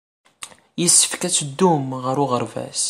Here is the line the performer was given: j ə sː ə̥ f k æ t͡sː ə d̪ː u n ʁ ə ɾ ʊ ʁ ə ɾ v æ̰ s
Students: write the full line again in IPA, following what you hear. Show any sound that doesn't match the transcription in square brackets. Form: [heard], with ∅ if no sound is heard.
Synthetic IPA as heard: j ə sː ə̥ f k æ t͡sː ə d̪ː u [m] ʁ ə ɾ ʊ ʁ ə ɾ v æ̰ s